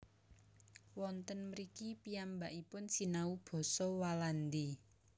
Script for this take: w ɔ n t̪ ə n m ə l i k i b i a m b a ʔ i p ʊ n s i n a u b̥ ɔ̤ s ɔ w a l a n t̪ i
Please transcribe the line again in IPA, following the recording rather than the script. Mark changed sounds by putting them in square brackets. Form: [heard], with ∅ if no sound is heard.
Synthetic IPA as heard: w ɔ n t̪ ə n m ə [ɾ] i k i [p] i a m b a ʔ i p ʊ n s i n a u b̥ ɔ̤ s ɔ w a l a n [d̪] i